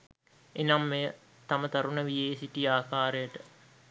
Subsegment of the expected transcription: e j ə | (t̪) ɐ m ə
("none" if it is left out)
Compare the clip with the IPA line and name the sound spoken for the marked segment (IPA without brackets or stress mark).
t̪